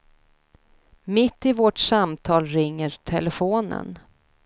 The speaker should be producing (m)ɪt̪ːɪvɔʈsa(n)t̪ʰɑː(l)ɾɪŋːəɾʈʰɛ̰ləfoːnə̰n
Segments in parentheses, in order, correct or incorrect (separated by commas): correct, incorrect, correct